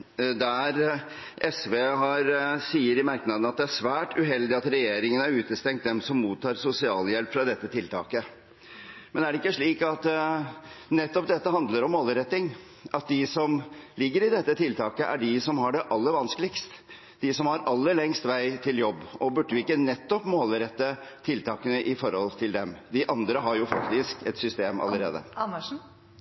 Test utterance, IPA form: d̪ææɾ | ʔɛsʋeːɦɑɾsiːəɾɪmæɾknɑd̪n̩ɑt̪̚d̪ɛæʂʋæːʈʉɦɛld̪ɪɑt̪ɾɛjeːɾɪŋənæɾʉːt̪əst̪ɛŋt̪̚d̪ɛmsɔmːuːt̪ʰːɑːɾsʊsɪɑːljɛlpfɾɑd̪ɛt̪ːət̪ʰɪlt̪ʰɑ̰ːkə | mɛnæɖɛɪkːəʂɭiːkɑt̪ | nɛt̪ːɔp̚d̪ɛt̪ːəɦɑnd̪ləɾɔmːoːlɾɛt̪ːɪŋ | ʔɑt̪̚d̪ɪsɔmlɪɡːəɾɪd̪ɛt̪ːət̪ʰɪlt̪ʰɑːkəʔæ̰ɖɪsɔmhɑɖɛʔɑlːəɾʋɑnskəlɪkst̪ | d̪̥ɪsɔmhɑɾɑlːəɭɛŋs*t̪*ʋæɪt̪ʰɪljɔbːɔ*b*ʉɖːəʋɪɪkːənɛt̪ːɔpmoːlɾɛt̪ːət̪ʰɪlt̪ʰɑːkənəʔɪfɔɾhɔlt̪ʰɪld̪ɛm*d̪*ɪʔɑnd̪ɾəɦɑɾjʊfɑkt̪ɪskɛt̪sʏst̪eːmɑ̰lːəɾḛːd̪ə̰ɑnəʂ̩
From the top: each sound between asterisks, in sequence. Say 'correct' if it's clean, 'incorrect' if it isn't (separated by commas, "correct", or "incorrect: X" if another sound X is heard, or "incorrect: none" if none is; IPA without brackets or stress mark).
correct, correct, correct